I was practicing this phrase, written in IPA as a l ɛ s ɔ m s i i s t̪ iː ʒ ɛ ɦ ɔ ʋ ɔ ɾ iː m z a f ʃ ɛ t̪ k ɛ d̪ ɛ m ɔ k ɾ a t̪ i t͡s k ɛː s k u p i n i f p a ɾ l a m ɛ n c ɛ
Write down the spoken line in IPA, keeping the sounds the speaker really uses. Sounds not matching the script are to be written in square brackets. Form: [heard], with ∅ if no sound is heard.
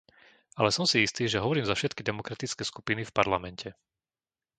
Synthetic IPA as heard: a l ɛ s ɔ m s i i s t̪ iː ʒ ɛ ɦ ɔ ʋ ɔ ɾ iː m z a f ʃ ɛ t̪ k [i] d̪ ɛ m ɔ k ɾ a t̪ i t͡s k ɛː s k u p i n i f p a ɾ l a m ɛ n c ɛ